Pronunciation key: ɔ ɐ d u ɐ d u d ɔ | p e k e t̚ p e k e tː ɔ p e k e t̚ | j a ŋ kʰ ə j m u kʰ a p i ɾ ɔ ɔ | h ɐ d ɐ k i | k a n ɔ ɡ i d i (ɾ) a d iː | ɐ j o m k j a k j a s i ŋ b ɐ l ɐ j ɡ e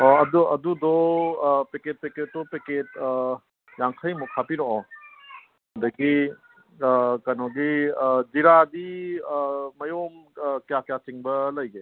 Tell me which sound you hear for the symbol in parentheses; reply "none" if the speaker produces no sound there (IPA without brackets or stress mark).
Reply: ɾ